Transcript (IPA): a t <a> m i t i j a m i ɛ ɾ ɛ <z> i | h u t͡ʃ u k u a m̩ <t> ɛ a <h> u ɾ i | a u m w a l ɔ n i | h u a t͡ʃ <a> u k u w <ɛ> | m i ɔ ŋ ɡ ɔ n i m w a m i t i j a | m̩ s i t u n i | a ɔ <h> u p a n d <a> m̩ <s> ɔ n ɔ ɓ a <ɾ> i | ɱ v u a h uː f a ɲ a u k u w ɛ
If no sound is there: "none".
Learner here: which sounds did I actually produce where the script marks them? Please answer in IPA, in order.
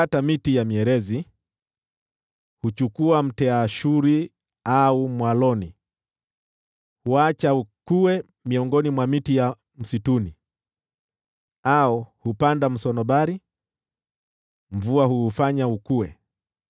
a, z, t, ʃ, a, ɛ, h, a, s, ɾ

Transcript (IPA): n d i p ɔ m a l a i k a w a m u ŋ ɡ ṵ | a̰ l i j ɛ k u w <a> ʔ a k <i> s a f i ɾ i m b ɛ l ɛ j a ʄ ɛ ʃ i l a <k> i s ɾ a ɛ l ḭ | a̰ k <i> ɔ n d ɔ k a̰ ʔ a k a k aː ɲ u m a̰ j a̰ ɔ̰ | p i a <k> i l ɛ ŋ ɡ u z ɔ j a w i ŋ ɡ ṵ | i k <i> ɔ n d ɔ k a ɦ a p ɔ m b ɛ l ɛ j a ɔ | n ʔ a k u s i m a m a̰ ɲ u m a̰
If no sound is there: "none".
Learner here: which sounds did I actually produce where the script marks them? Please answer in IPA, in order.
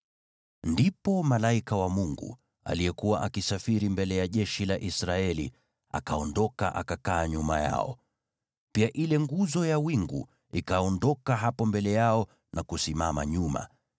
a, i, ʔ, a, ʔ, a

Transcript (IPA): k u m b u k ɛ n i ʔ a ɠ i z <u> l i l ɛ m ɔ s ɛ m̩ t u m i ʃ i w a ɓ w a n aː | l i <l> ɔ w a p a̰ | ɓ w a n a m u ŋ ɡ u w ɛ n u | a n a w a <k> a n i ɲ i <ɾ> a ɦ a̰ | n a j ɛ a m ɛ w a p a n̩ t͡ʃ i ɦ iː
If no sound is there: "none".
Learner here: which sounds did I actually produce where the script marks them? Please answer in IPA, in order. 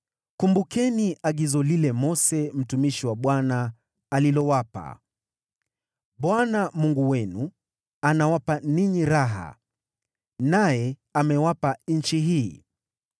ɔ, l, p, ɾ

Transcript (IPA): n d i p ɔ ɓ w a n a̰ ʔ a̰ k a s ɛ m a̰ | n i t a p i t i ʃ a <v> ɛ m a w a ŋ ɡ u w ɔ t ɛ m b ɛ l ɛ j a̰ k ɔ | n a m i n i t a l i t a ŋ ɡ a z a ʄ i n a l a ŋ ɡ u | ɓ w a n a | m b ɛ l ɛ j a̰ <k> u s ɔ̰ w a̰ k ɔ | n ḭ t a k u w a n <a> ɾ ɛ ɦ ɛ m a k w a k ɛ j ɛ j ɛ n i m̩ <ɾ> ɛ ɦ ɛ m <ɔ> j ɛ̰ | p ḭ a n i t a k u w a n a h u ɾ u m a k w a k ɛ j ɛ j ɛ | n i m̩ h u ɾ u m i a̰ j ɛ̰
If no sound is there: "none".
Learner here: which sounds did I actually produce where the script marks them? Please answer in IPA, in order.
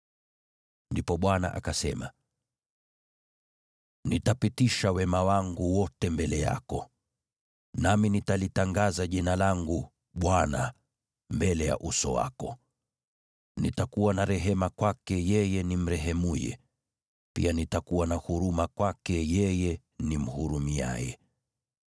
w, ʔ, a, ɾ, u

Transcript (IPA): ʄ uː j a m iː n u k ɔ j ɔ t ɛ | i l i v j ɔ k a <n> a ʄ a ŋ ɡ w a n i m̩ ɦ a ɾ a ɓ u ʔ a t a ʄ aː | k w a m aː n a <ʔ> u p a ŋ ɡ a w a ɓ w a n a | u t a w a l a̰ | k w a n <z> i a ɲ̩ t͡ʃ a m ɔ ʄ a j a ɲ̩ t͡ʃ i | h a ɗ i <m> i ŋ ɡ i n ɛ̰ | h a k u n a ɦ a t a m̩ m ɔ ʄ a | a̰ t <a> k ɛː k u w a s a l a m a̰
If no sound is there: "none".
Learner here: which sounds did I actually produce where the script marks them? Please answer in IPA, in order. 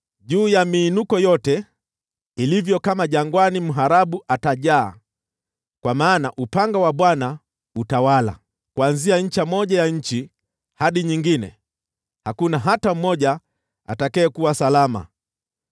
m, ʔ, z, ɲ, a

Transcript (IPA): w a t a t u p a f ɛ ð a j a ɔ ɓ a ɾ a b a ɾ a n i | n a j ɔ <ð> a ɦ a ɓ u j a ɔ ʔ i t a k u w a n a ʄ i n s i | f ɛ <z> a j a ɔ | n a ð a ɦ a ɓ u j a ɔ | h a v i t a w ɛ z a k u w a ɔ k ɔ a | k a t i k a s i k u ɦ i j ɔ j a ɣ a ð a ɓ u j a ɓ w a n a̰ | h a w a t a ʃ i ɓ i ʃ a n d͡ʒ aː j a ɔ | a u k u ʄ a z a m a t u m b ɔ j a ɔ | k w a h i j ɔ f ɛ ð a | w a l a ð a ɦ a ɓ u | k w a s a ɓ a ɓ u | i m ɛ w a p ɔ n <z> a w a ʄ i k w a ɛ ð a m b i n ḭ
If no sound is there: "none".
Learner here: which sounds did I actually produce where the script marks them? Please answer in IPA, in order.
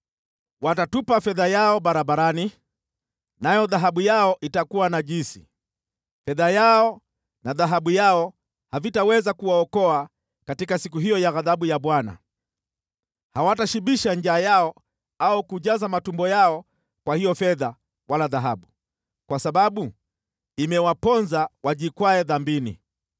ð, ð, z

